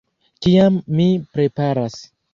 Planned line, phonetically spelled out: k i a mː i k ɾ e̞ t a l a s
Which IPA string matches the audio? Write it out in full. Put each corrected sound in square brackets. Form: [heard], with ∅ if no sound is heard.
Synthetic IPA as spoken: k i a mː i [p] ɾ e̞ [p] a [ɾ] a s